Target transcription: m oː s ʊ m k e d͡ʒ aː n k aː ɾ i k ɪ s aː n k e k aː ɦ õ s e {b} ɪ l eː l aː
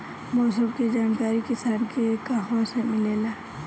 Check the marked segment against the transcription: incorrect: m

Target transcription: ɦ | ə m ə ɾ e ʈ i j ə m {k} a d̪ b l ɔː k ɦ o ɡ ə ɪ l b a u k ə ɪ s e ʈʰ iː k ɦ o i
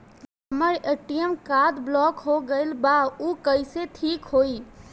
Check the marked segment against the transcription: correct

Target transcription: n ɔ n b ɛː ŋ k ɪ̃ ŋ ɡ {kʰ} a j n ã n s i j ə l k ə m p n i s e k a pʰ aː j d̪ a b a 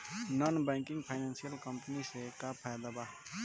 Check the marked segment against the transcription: incorrect: pʰ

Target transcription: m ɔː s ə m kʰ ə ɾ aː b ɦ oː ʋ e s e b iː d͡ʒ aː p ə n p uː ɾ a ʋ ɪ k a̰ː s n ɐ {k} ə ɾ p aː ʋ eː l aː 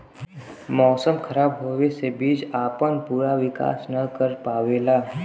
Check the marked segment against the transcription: correct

